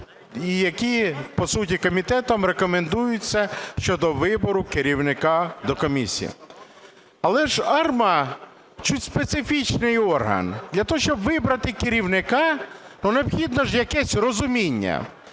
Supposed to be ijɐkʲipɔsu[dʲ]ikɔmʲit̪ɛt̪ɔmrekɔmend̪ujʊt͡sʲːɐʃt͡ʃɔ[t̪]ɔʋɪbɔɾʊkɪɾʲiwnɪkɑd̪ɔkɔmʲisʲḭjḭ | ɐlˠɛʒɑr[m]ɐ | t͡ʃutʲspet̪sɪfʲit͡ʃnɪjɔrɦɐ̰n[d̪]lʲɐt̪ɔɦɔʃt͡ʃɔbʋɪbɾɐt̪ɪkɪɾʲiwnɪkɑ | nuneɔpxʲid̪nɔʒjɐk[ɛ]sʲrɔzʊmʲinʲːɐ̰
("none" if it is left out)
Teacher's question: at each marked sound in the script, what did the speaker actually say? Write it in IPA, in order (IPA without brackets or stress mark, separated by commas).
tʲ, d̪, m, d̪, ɛ